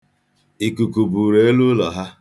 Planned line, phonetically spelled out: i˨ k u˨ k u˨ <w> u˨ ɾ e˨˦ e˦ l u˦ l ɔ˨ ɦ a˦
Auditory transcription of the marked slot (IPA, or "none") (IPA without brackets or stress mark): b